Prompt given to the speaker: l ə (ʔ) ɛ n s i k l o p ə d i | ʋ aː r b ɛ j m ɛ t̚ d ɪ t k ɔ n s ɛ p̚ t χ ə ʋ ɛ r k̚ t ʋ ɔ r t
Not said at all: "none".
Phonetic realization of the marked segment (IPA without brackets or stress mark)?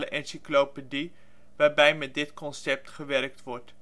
ʔ